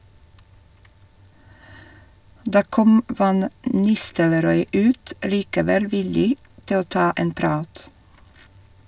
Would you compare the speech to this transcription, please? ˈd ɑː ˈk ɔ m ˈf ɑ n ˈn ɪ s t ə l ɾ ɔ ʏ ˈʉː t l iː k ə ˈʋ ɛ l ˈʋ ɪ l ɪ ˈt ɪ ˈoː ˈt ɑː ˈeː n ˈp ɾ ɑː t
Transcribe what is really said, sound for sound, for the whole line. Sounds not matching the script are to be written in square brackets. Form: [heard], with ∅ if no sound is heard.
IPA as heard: ˈd ɑː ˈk ɔ m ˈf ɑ n ˈn ɪ s t ə l ɾ ɔ ʏ ˈʉː t l iː k ə ˈʋ ɛ l ˈʋ ɪ l ɪ ˈt ɪ ˈoː ˈt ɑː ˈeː n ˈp ɾ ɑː t